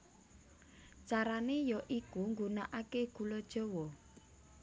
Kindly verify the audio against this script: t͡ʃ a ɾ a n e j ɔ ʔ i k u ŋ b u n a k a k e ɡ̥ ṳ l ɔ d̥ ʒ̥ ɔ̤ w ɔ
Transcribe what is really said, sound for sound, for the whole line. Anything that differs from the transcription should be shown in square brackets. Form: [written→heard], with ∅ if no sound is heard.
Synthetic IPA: t͡ʃ a ɾ a n e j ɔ ʔ i k u ŋ [b→ɡ] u n a [k→ʔ] a k e ɡ̥ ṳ l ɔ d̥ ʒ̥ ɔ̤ w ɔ